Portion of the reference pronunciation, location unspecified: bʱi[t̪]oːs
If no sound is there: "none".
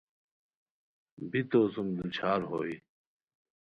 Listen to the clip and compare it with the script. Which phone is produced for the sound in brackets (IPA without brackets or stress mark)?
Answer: t̪